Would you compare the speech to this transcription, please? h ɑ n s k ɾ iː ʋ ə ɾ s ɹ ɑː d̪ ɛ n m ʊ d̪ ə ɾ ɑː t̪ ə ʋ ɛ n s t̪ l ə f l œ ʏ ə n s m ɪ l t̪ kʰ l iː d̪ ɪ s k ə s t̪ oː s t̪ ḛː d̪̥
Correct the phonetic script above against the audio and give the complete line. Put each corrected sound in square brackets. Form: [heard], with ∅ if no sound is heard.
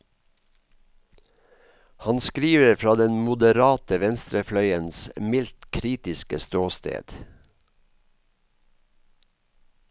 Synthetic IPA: h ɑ n s k ɾ iː ʋ ə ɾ [f] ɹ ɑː d̪ ɛ n m ʊ d̪ ə ɾ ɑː t̪ ə ʋ ɛ n s t̪ [ɾ] ə f l œ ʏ ə n s m ɪ l t̪ kʰ [ɾ] iː [t̪] ɪ s k ə s t̪ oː s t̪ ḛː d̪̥